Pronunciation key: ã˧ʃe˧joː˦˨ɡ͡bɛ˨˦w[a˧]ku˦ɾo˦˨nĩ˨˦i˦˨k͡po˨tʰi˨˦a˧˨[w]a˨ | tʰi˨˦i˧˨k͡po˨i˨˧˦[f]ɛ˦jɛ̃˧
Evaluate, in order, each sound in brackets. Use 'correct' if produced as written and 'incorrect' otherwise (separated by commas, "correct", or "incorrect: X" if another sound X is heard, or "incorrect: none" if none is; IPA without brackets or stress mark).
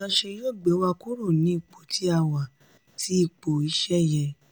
correct, correct, incorrect: ʃ